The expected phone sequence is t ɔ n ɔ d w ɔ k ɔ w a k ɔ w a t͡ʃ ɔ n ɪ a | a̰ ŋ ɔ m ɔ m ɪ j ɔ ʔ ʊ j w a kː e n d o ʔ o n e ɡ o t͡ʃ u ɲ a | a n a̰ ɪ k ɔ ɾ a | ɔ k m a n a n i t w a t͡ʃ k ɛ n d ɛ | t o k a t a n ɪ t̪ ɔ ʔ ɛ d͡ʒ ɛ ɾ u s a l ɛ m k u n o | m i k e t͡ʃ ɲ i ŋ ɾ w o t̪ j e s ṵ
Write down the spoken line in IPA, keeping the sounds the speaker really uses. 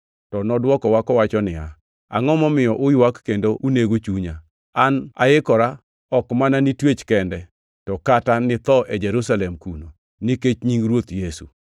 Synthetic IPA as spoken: t ɔ n ɔ d w ɔ k ɔ w a k ɔ w a t͡ʃ ɔ n ɪ a | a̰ ŋ ɔ m ɔ m ɪ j ɔ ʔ ʊ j w a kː e n d o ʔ u n e ɡ o t͡ʃ u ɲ a | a n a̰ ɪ k ɔ ɾ a | ɔ k m a n a n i t w e t͡ʃ k ɛ n d ɛ | t ɔ k a t a n ɪ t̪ ɔ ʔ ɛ d͡ʒ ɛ ɾ u s a l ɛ m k u n o | n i k e t͡ʃ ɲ i ŋ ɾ w o t̪ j e s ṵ

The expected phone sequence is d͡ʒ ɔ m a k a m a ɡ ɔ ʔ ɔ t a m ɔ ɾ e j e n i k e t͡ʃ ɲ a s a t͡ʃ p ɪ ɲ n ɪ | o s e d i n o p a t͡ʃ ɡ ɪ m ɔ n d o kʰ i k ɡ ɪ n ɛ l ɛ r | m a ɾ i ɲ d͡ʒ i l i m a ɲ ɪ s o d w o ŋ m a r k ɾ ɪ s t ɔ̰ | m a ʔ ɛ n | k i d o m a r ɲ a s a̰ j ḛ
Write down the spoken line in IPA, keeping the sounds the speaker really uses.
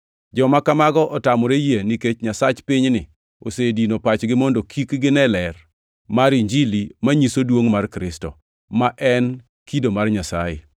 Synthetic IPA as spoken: d͡ʒ ɔ m a k a m a ɡ ɔ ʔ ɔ t a m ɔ ɾ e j e n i k e t͡ʃ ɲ a s a t͡ʃ p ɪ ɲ n ɪ | o s e d i n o p a t͡ʃ ɡ ɪ m ɔ n d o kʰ i k ɡ ɪ n ɛ l ɛ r | m a ɾ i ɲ d͡ʒ i l i m a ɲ i s o d w o ŋ m a r k ɾ ɪ s t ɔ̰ | m a ʔ ɛ n | k i d o m a r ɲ a s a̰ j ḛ

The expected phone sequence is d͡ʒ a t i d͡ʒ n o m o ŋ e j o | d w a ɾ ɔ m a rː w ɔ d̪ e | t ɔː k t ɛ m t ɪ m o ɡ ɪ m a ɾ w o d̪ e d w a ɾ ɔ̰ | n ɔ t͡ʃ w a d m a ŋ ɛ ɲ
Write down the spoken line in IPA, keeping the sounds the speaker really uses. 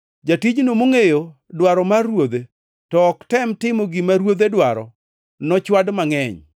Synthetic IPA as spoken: d͡ʒ a t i d͡ʒ n o m o ŋ e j o | d w a ɾ ɔ m a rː w o d̪ e | t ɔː k t ɛ m t ɪ m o ɡ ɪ m a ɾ w o d̪ e d w a ɾ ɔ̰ | n ɔ t͡ʃ w a d m a ŋ ɛ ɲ

